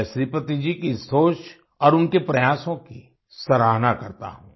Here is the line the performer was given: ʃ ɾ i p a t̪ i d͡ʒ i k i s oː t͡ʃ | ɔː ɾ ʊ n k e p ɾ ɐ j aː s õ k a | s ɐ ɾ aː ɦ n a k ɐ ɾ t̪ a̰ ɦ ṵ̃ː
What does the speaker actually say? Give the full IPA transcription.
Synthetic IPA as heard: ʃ ɾ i p ə t̪ i d͡ʒ i k i s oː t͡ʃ | ɔː ɾ ʊ n k e p ɾ ɐ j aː s õ k i | s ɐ ɾ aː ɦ n a k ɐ ɾ t̪ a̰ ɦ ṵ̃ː